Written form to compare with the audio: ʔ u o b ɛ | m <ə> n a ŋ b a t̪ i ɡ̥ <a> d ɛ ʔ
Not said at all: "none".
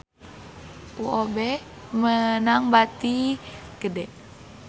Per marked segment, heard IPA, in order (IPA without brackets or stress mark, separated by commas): ə, ə